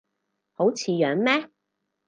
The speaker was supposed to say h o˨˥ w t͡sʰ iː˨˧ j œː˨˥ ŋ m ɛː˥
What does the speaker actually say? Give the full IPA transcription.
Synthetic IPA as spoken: h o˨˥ w t͡sʰ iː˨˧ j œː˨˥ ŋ m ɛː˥